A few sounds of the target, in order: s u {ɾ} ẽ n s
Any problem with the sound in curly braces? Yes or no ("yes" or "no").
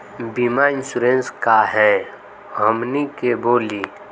no